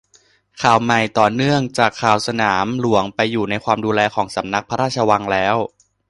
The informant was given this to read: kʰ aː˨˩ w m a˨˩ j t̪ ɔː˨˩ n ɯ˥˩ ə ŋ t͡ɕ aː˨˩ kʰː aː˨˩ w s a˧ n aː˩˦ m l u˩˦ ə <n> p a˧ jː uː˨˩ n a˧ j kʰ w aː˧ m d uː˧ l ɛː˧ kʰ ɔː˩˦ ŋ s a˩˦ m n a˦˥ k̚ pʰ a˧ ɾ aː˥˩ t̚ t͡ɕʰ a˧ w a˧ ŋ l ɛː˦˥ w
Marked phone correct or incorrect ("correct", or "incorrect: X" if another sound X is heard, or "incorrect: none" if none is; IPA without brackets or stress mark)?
incorrect: ŋ